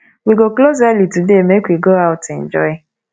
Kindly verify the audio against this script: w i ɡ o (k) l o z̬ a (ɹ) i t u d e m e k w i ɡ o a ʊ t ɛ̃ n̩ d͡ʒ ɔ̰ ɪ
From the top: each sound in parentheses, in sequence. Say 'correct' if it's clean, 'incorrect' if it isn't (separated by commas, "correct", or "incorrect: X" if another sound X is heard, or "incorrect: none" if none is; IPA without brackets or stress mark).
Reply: correct, incorrect: l